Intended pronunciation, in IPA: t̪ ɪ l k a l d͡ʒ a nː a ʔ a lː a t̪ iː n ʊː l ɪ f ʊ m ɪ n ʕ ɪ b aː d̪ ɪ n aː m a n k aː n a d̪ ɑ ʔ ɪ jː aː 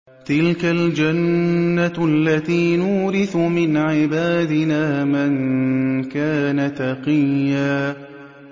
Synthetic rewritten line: t̪ ɪ l k a l d͡ʒ a nː a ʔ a lː a t̪ iː n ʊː ɾ ɪ θ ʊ m ɪ n ʕ ɪ b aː d̪ ɪ n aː m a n k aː n a t̪ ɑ q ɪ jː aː

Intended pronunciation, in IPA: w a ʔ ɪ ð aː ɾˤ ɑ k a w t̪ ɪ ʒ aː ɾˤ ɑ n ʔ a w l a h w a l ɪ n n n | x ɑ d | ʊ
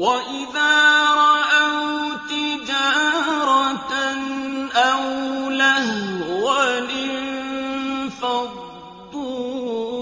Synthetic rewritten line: w a ʔ ɪ ð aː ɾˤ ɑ ʔ a w t̪ ɪ d͡ʒ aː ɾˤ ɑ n ʔ a w l a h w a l ɪ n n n | f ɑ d | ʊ

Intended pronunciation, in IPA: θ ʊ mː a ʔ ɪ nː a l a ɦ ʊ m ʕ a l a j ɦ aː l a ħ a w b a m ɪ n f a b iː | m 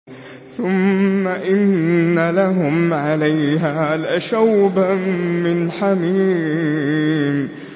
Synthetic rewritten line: θ ʊ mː a ʔ ɪ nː a l a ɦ ʊ m ʕ a l a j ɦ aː l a ʃ a w b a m ɪ n ħ a m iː | m

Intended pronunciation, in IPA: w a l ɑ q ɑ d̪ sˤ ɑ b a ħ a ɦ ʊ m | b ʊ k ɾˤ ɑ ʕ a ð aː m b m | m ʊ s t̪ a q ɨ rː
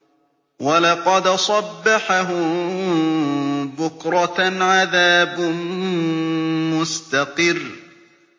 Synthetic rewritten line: w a l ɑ q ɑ d̪ sˤ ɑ bː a ħ a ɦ ʊ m | b ʊ k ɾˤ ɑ ʕ a ð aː b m | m ʊ s t̪ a q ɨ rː

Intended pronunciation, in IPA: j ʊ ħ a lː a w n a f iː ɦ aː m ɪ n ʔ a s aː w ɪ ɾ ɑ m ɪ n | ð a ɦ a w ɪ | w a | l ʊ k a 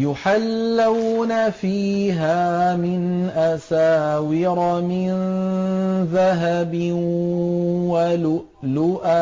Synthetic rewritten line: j ʊ ħ a lː a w n a f iː ɦ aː m ɪ n ʔ a s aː w ɪ ɾ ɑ m ɪ n | ð a ɦ a b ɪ | w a | l ʊ ʔ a

